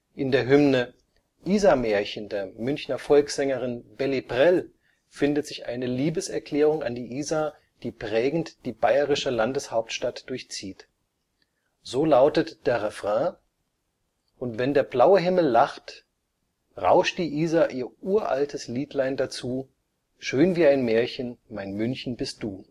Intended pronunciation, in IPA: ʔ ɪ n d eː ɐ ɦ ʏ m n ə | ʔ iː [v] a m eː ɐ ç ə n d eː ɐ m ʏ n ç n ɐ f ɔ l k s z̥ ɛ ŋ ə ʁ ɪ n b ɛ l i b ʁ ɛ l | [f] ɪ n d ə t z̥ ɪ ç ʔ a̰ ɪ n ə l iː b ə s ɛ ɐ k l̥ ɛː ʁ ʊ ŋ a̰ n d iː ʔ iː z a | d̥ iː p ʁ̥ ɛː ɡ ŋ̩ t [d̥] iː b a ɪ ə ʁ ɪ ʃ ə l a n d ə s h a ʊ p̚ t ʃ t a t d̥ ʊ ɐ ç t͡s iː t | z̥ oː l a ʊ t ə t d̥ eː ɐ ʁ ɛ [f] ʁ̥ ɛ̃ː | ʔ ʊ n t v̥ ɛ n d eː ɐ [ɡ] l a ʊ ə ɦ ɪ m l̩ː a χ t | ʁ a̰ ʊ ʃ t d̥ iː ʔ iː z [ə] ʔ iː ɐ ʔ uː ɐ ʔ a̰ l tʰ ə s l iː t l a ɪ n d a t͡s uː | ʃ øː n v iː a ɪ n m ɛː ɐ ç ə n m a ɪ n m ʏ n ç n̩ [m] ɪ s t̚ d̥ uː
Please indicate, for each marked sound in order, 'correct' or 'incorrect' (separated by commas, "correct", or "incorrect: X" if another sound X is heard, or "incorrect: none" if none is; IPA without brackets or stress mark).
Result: incorrect: z, correct, correct, correct, incorrect: b, incorrect: a, incorrect: b